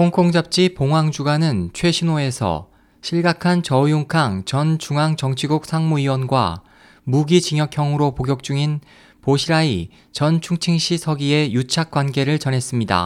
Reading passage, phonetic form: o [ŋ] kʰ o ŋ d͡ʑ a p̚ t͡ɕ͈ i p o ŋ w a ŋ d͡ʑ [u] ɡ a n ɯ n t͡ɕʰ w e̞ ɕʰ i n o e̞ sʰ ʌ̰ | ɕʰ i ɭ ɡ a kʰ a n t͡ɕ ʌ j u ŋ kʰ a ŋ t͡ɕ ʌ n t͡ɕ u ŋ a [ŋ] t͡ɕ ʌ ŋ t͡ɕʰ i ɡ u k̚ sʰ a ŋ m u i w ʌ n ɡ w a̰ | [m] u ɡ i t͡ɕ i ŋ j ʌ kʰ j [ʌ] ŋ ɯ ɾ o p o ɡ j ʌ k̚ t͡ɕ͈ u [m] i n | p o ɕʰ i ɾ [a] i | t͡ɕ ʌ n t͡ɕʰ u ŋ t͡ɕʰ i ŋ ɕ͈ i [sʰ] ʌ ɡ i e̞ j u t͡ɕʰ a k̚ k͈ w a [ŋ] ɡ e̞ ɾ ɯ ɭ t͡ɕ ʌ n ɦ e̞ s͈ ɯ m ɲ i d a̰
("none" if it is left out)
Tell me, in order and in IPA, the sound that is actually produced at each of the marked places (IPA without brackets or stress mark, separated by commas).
ŋ, u, ŋ, m, ʌ, ŋ, a, sʰ, n